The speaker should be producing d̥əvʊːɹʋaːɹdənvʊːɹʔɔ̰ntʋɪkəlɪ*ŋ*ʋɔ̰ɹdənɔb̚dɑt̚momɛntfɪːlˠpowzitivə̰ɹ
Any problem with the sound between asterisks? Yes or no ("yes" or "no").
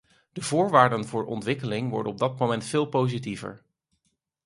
no